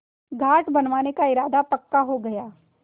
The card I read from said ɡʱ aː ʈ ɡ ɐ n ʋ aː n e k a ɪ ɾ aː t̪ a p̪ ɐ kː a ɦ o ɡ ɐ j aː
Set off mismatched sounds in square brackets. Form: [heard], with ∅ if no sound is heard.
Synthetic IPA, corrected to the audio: ɡʱ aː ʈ [b] ɐ n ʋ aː n e k a ɪ ɾ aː [d̪] a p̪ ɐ kː a ɦ o ɡ ɐ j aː